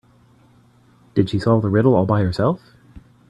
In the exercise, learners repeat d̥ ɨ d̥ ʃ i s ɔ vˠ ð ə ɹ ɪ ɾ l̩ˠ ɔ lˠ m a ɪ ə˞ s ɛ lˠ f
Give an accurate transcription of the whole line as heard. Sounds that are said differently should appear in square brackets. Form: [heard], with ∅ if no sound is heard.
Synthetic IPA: d̥ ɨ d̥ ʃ i s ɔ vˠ ð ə ɹ ɪ ɾ l̩ˠ ɔ lˠ [b] a ɪ ə˞ s ɛ lˠ f